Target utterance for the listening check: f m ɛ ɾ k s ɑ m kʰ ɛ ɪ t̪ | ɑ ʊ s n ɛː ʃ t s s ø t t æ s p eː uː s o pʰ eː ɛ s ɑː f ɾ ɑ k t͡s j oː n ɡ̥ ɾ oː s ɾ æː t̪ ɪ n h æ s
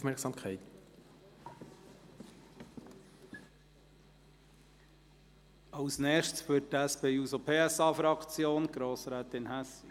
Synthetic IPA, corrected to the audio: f m ɛ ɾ k s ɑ m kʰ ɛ ɪ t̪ | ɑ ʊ s n ɛː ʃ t s f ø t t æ s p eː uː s o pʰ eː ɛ s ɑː f ɾ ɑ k t͡s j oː n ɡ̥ ɾ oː s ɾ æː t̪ ɪ n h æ s